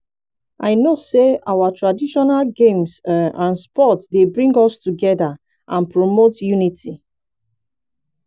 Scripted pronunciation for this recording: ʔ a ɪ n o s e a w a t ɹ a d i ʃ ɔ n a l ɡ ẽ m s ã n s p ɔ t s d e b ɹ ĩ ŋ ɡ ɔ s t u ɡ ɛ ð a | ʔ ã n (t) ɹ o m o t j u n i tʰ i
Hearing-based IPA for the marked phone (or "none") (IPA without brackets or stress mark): p